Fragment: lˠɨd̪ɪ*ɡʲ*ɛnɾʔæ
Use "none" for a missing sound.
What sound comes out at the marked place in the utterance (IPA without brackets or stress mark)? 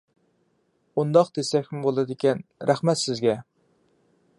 kʲ